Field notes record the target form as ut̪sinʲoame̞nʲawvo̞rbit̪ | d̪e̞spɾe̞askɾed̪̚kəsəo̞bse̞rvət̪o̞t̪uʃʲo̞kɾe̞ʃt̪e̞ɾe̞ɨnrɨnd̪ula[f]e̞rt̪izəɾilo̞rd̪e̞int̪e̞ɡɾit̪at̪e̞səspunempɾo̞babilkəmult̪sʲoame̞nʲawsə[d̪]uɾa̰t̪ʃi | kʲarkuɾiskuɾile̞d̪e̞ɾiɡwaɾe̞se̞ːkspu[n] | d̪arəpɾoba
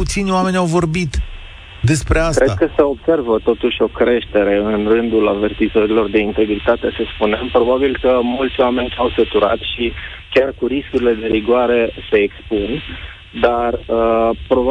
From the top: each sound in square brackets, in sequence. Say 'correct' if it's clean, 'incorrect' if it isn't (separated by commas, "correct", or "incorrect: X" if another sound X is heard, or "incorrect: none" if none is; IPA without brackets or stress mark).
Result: incorrect: v, incorrect: t̪, correct